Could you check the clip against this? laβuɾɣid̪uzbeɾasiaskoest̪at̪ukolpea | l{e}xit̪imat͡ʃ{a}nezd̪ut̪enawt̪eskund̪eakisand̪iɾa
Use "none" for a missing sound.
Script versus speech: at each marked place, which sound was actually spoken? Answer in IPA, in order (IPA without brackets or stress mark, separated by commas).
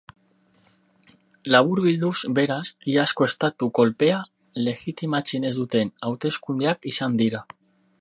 e, i